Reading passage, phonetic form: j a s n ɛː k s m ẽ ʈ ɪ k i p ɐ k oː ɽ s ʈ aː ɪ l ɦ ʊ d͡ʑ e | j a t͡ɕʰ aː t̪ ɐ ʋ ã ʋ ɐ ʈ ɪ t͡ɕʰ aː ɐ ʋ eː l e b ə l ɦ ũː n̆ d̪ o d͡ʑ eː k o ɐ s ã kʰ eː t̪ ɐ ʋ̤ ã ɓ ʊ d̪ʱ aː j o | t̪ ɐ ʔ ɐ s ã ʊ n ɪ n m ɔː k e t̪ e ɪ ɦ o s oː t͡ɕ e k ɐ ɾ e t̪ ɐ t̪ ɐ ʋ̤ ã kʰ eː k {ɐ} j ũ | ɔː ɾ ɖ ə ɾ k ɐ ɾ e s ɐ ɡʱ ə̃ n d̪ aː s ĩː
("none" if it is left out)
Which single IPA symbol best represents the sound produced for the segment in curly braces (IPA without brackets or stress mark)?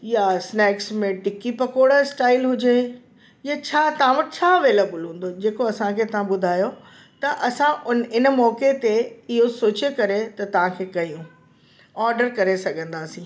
ɐ